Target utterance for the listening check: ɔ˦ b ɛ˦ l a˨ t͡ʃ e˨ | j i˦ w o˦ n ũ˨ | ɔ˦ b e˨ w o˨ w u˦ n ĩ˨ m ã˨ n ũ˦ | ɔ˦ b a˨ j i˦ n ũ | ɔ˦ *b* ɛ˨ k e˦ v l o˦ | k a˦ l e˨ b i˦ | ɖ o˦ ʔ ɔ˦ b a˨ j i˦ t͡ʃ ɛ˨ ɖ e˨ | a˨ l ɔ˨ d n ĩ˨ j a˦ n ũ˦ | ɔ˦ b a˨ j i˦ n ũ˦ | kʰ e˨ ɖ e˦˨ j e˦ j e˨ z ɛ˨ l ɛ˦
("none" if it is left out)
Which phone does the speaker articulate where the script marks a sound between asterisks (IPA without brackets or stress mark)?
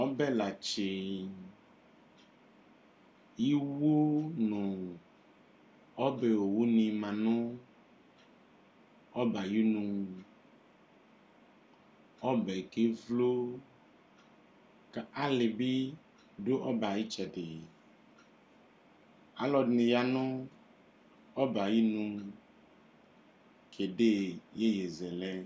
b